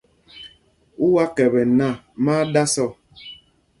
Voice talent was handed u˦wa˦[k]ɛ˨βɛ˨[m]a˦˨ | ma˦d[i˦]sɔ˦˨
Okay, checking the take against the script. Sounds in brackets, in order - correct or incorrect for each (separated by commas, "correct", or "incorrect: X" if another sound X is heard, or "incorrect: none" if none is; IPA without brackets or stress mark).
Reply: correct, incorrect: n, incorrect: a˦